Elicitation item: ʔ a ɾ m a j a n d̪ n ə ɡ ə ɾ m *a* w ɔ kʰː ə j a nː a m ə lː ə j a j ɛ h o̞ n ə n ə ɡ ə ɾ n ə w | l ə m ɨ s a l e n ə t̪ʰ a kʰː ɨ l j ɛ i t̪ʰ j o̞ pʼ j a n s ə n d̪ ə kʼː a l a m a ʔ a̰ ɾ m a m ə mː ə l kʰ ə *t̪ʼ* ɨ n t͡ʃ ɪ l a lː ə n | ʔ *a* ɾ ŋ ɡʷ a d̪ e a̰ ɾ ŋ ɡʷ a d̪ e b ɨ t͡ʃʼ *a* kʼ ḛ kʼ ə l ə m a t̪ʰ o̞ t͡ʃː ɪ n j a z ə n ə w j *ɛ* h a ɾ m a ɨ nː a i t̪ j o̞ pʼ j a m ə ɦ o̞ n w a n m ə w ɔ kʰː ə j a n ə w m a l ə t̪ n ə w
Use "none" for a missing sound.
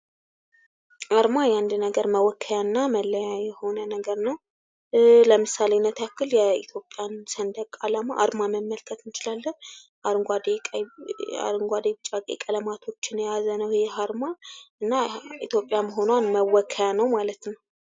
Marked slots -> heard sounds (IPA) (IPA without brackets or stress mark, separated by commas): ə, t̪, a, a, ɛ